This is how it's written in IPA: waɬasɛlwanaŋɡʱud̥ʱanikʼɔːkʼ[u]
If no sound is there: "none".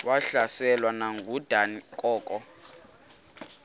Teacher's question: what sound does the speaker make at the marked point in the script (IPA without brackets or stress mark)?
ɔ